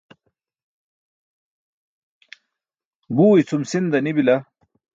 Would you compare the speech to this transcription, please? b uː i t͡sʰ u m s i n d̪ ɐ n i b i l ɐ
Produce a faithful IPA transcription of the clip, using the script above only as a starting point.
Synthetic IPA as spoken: b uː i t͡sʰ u m s i n d̪ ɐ n i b i l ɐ